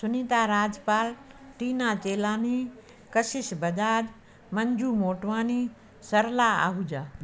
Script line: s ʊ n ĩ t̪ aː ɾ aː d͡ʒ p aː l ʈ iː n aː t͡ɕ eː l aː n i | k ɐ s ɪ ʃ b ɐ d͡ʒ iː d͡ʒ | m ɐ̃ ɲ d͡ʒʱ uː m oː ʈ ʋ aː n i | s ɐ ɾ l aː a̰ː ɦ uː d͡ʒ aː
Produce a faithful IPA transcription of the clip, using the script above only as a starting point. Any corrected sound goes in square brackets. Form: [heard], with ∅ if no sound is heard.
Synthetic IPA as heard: s ʊ n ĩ t̪ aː ɾ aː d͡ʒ p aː l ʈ iː n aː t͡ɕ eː l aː n i | k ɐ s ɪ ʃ b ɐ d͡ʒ [aː] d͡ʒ | m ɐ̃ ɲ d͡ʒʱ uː m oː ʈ ʋ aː n i | s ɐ ɾ l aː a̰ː ɦ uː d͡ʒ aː

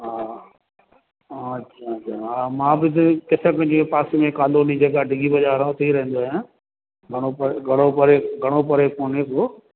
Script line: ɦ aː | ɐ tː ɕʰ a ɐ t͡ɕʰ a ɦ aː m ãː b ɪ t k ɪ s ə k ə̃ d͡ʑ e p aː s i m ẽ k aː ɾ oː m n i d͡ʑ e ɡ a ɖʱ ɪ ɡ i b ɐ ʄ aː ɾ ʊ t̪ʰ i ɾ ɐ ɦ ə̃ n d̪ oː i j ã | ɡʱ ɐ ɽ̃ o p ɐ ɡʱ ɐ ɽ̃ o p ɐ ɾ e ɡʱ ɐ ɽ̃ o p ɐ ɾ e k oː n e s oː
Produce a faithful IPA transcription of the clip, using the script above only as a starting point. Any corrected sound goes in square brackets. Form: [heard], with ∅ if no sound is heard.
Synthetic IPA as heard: ɦ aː | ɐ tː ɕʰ a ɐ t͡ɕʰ a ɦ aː m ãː b ɪ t k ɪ s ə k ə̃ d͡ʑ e p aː s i m ẽ k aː [l] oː [∅] n i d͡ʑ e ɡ a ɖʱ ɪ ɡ i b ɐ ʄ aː ɾ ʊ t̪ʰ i ɾ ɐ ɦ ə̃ n d̪ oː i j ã | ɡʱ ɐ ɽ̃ o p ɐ ɡʱ ɐ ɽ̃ o p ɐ ɾ e ɡʱ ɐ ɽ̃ o p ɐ ɾ e k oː n e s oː

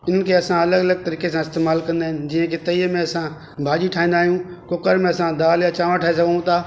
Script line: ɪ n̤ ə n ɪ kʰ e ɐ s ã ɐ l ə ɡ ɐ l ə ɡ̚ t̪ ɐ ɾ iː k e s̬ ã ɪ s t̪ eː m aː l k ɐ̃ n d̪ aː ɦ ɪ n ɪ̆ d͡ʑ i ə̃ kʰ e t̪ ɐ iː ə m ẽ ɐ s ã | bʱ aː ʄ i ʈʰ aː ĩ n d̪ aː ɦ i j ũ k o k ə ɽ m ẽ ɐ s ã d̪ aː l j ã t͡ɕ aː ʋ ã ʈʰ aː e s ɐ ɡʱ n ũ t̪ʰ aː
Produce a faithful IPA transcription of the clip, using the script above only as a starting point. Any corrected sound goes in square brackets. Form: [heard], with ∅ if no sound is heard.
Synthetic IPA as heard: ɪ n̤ ə n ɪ kʰ e ɐ s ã ɐ l ə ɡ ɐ l ə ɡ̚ t̪ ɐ ɾ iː k e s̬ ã ɪ s t̪ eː m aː l k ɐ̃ n d̪ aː ɦ ɪ n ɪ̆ d͡ʑ i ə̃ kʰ e t̪ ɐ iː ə m ẽ ɐ s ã | bʱ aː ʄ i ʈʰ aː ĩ n d̪ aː ɦ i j ũ k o k ə [ɾ] m ẽ ɐ s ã d̪ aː l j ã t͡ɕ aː ʋ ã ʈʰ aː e s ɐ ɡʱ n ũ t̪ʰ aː

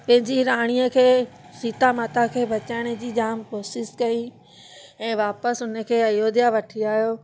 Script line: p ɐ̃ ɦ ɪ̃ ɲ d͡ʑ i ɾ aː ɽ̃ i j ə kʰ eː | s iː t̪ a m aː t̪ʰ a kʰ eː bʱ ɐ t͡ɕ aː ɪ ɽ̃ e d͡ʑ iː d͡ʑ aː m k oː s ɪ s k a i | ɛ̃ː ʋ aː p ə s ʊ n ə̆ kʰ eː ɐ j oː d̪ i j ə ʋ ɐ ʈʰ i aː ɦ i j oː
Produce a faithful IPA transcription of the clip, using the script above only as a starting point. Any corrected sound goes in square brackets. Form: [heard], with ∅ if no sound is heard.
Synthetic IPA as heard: p ɐ̃ ɦ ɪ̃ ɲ d͡ʑ i ɾ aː ɽ̃ i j ə kʰ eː | s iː t̪ a m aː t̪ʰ a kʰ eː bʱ ɐ t͡ɕ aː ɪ ɽ̃ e d͡ʑ iː d͡ʑ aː m k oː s ɪ s k [ɐ] i | ɛ̃ː ʋ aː p ə s ʊ n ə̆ kʰ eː ɐ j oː d̪ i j [a] ʋ ɐ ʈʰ i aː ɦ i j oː

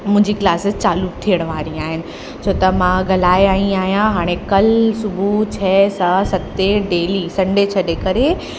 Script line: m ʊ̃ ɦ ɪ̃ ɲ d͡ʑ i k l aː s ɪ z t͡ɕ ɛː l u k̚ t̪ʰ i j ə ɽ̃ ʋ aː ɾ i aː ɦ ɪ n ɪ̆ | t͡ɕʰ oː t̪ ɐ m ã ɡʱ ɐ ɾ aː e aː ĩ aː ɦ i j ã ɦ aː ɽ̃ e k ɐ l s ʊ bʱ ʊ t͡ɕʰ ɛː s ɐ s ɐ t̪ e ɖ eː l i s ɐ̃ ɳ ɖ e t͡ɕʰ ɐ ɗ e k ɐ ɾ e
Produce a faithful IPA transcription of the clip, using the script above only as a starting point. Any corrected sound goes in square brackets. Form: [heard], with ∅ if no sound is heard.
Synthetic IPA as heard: m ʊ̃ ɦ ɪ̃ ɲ d͡ʑ i k l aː s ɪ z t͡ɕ [aː] l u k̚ t̪ʰ i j ə ɽ̃ ʋ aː ɾ i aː ɦ ɪ n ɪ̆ | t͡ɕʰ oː t̪ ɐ m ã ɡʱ ɐ [l] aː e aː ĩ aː ɦ i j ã ɦ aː ɽ̃ e k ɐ l s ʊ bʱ [u] t͡ɕʰ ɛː s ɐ s ɐ t̪ e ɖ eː l i s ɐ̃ ɳ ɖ e t͡ɕʰ ɐ ɗ e k ɐ ɾ e

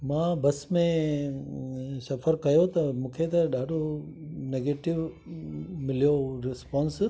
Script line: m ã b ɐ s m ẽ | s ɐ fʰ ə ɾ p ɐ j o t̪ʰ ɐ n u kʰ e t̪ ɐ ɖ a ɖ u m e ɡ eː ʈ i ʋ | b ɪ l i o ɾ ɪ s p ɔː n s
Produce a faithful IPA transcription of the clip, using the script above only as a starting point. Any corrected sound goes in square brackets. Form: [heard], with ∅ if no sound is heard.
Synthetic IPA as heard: m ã b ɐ s m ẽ | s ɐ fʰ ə ɾ [k] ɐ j o [t̪] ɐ [m] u kʰ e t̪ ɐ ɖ a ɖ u [n] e ɡ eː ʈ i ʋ | [m] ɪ l [j] o ɾ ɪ s p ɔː n s

